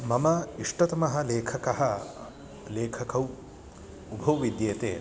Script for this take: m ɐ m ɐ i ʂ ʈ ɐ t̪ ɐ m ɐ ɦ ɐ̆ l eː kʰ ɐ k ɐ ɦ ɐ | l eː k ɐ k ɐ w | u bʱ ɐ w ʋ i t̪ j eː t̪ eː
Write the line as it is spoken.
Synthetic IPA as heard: m ɐ m ɐ i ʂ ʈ ɐ t̪ ɐ m ɐ ɦ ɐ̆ l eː kʰ ɐ k ɐ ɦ ɐ | l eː kʰ ɐ k ɐ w | u bʱ ɐ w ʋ i d̪ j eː t̪ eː